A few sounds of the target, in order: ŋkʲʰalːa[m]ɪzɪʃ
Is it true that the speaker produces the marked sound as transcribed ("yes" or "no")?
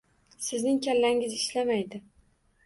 no